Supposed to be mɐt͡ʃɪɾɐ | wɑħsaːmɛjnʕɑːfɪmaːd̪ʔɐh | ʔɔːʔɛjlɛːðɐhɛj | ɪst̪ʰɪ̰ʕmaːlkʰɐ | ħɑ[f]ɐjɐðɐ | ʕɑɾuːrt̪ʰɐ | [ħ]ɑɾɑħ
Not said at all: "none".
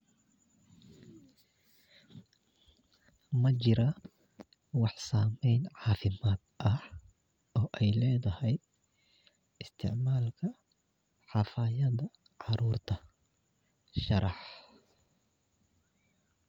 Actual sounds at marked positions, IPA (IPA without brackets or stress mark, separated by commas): f, ʃ